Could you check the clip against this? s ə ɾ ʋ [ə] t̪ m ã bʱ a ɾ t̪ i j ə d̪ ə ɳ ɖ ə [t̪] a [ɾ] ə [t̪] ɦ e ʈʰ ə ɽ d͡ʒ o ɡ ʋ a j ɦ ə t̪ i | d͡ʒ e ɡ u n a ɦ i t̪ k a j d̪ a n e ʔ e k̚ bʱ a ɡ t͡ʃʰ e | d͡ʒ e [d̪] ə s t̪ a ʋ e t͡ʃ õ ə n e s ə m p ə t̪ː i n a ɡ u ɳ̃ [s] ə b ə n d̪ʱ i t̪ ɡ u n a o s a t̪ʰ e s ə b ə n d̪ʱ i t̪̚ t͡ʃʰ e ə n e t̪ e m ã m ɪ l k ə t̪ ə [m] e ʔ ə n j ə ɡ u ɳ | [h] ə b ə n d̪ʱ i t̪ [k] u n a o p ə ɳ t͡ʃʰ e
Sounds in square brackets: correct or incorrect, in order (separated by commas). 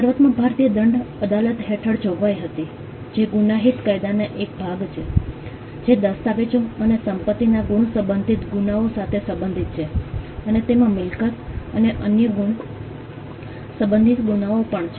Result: correct, incorrect, incorrect, correct, correct, correct, incorrect, incorrect, incorrect